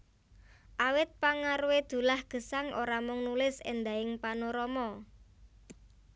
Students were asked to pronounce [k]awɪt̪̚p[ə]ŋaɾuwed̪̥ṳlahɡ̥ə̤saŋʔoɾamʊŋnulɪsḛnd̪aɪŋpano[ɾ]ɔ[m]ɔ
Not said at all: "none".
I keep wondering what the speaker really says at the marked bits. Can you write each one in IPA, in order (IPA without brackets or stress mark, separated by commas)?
ʔ, a, ɾ, m